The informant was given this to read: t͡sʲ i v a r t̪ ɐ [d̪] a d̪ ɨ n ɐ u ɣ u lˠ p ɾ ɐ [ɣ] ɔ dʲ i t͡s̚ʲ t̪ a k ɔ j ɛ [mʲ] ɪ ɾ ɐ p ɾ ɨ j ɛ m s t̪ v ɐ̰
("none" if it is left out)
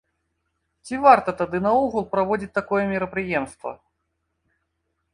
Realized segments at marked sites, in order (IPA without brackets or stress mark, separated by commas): t̪, v, mʲ